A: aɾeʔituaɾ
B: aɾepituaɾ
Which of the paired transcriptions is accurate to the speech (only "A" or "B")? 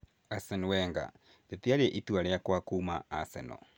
A